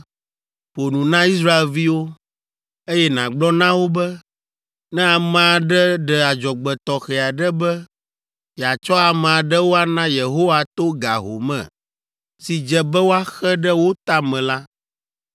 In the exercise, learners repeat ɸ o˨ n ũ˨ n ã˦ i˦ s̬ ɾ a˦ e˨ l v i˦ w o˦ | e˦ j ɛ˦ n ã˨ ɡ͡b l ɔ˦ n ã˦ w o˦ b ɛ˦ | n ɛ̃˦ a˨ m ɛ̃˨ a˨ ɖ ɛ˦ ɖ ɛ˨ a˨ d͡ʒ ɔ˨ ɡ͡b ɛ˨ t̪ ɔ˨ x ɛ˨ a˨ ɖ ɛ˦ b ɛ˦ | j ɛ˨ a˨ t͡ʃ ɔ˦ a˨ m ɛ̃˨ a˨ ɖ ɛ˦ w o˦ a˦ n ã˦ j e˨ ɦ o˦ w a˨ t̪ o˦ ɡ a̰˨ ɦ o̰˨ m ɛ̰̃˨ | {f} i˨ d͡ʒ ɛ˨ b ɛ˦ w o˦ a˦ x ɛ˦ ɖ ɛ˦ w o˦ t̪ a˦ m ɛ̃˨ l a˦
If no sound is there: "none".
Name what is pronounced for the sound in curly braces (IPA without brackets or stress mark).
s